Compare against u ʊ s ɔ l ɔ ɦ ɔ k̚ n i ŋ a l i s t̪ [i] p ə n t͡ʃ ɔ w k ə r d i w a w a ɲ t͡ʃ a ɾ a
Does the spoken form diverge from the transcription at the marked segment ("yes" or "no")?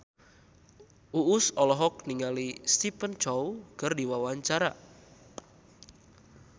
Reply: no